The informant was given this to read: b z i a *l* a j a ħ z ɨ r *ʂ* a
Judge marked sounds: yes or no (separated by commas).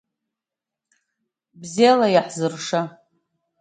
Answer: yes, yes